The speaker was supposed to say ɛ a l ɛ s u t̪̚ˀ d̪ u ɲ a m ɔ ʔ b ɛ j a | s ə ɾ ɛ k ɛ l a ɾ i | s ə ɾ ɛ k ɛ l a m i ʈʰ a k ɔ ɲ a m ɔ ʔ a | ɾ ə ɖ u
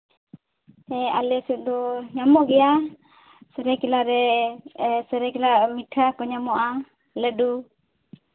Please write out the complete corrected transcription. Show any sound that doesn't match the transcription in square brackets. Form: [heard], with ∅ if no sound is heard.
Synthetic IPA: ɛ a l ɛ s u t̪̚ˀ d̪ [ɔ] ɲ a m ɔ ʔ [ɡ] ɛ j a | s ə ɾ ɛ k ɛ l a ɾ [ɛ] | s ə ɾ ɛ k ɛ l a m i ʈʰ a k ɔ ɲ a m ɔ ʔ a | [l] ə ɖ u